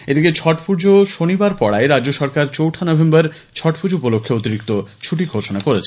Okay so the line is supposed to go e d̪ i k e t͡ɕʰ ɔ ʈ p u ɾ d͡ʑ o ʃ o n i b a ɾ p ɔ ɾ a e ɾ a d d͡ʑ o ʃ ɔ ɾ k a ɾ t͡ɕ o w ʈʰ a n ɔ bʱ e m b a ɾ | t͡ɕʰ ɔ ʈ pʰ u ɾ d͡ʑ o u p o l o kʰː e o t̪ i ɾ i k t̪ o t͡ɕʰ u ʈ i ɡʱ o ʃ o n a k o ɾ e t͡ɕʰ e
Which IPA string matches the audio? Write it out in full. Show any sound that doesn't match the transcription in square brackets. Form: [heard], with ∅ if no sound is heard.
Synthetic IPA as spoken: e d̪ i k e t͡ɕʰ ɔ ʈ p u ɾ d͡ʑ o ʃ o n i b a ɾ p ɔ [ɽ] a e ɾ a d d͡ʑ o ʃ ɔ ɾ k a ɾ t͡ɕ o w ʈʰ a n ɔ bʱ e m b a ɾ | t͡ɕʰ ɔ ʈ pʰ u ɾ d͡ʑ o u p o l o kʰː e o t̪ i ɾ i k t̪ o t͡ɕʰ u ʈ i ɡʱ o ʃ o n a k o ɾ e t͡ɕʰ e